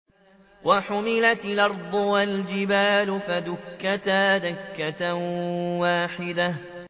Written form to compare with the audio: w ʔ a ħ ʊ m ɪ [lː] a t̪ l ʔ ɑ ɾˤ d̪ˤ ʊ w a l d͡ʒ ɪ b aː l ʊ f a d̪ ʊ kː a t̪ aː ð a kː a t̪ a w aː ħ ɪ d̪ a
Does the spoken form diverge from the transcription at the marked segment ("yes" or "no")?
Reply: yes